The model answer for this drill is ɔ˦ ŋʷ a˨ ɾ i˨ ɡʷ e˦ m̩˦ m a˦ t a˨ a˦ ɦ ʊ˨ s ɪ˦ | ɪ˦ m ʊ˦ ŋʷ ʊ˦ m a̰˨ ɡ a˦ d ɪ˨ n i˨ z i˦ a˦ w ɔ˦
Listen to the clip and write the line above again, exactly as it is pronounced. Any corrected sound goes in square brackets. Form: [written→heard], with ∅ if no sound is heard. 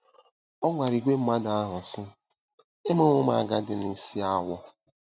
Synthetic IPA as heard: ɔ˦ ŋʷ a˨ ɾ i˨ ɡʷ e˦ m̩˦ m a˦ [t→d] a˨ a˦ ɦ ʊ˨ s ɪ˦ | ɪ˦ m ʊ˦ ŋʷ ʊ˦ m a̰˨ ɡ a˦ d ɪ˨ n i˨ [z→s] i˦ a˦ w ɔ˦